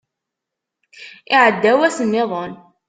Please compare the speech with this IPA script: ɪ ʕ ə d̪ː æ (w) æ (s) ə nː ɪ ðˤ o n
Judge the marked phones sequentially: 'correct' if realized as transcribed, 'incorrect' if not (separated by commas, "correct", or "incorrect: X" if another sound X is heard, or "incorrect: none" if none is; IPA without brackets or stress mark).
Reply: correct, correct